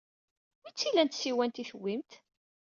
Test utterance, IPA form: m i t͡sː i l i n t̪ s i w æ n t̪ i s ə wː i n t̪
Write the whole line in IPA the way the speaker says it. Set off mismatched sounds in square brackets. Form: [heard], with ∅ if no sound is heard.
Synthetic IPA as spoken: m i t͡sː i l [æ] n t̪ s i w æ n t̪ i [θ] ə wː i [m] t̪